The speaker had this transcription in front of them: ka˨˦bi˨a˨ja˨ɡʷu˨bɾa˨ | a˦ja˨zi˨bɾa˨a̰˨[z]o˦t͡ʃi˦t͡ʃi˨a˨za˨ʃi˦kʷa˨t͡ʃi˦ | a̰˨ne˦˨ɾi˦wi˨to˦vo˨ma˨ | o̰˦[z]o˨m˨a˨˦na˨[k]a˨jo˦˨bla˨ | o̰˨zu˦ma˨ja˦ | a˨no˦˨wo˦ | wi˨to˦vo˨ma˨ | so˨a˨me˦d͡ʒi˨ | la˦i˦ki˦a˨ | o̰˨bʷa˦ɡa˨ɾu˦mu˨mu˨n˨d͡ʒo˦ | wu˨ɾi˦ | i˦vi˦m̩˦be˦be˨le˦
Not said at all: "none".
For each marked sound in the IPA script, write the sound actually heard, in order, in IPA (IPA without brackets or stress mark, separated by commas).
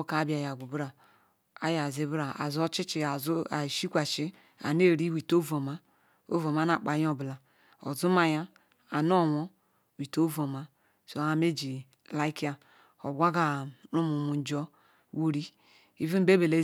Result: z, v, k͡p